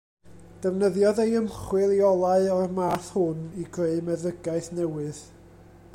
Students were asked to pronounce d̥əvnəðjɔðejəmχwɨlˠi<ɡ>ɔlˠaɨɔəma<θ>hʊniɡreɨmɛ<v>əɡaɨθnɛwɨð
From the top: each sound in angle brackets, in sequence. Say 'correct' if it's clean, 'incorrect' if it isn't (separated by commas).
incorrect, correct, incorrect